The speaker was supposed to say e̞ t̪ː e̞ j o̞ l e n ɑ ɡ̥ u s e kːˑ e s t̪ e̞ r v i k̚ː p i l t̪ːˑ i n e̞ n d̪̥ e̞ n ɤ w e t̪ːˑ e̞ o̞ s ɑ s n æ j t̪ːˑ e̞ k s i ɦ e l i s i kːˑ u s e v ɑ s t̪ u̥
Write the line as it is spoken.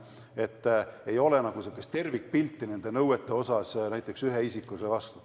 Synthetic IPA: e̞ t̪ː e̞ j o̞ l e n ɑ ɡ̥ u s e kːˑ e s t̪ e̞ r v i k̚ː p i l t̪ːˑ i n e̞ n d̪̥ e̞ n ɤ w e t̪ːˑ e̞ o̞ s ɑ s n æ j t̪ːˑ e̞ k s y ɦ e i s i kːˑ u s e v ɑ s t̪ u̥